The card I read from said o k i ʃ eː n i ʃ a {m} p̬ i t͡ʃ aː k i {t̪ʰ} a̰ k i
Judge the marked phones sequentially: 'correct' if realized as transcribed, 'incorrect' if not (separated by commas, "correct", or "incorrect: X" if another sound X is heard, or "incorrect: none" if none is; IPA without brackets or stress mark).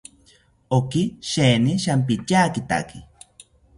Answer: correct, incorrect: t̪